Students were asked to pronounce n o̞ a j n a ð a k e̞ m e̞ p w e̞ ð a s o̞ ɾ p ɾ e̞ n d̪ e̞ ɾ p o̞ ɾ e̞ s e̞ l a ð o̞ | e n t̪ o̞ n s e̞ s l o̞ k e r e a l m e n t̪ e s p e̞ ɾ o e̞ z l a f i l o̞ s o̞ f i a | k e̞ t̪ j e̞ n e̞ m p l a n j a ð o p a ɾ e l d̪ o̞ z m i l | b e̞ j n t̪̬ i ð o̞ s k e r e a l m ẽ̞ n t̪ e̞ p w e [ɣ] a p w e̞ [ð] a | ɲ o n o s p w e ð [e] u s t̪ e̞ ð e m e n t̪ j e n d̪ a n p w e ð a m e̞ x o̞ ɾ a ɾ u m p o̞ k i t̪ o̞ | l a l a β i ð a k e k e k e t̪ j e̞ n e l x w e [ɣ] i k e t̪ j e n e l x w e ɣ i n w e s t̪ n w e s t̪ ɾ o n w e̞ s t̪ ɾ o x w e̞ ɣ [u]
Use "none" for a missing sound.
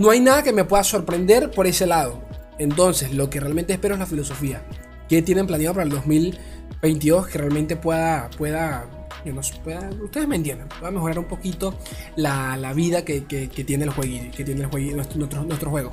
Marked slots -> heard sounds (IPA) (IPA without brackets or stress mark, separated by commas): ð, ð, a, ɣ, o